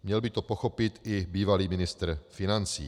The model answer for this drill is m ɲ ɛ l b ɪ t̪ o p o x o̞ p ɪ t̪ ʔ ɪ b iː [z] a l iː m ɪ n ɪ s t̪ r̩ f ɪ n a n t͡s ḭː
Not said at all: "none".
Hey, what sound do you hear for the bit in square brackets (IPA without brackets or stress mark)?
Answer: v